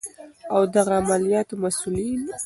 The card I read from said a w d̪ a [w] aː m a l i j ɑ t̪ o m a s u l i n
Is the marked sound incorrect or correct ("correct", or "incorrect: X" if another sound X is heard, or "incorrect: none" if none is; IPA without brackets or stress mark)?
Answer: incorrect: ɣ